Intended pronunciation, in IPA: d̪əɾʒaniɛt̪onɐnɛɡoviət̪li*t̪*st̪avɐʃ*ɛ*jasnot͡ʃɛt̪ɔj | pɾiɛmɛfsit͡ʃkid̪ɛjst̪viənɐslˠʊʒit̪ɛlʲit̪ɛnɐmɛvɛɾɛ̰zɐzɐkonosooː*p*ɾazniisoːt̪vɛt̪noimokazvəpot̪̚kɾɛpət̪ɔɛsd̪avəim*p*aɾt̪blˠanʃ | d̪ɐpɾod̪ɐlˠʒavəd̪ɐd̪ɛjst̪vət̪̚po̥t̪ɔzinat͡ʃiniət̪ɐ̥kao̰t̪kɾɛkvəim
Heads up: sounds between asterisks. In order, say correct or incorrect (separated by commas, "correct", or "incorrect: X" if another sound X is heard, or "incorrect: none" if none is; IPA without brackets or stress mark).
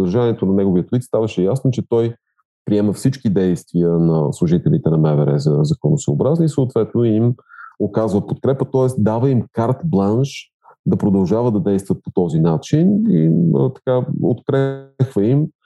correct, correct, incorrect: b, incorrect: k